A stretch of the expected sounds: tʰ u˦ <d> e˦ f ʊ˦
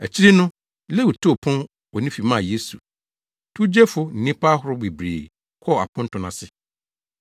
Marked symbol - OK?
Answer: no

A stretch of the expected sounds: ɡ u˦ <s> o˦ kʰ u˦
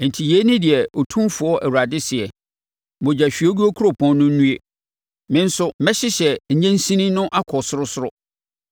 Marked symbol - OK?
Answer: no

